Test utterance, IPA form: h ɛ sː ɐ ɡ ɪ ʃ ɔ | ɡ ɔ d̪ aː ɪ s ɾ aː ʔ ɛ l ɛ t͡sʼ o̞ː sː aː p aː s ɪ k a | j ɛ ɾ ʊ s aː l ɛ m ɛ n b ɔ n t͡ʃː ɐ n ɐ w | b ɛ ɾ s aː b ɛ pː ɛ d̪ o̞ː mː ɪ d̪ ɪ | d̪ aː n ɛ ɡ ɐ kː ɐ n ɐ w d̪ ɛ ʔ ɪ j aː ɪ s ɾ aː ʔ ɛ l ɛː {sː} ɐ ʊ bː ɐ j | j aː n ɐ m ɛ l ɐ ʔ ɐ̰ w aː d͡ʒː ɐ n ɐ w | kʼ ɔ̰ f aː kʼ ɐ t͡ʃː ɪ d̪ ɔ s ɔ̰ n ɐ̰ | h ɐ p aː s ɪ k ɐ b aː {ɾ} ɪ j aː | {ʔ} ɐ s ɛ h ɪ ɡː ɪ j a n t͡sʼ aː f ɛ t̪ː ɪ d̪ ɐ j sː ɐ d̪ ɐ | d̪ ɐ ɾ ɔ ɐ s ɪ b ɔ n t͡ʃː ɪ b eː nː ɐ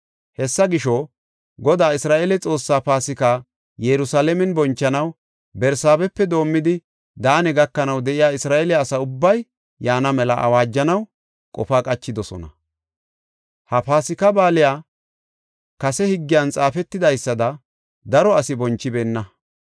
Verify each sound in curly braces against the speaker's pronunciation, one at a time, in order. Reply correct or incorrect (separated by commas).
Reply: incorrect, incorrect, incorrect